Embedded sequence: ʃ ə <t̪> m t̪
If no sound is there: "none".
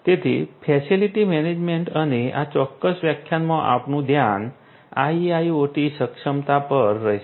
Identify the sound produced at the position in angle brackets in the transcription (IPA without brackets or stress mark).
none